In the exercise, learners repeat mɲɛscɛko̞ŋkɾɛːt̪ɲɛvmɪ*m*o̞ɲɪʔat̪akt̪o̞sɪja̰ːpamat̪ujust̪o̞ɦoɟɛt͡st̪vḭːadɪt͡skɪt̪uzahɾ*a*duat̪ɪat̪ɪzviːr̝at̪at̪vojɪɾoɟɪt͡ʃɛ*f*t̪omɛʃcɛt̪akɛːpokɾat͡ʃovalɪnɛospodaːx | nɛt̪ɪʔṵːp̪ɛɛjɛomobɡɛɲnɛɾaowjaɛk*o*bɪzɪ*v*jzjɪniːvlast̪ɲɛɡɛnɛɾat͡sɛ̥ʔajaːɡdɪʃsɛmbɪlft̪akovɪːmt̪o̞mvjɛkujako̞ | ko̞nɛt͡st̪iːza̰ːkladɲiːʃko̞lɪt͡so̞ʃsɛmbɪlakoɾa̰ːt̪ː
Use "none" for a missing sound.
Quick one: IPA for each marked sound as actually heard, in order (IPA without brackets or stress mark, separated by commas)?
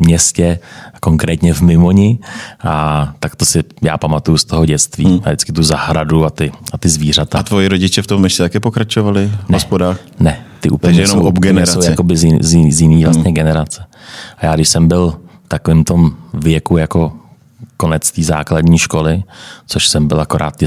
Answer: m, a, f, o, z